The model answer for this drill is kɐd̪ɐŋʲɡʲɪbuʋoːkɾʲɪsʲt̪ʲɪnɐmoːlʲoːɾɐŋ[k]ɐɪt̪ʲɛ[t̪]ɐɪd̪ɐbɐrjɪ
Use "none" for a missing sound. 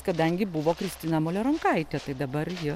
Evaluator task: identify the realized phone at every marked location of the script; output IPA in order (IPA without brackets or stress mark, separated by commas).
k, t̪